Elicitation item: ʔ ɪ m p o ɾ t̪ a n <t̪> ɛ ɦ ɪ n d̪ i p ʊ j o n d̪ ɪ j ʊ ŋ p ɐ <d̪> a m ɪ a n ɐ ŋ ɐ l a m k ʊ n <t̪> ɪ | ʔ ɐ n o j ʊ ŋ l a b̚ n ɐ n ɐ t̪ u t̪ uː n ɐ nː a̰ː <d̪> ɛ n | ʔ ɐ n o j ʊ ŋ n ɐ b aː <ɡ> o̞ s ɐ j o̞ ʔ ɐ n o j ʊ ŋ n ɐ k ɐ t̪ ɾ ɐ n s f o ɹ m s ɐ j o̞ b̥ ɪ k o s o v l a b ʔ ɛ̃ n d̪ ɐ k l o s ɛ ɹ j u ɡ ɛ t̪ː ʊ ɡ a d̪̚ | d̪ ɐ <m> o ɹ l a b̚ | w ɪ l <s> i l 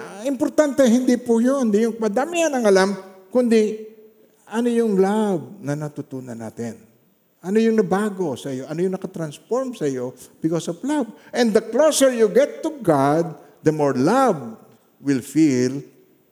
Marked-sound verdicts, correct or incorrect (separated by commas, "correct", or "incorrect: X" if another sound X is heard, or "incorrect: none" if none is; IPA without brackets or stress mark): correct, correct, incorrect: d̪, incorrect: t̪, correct, correct, incorrect: f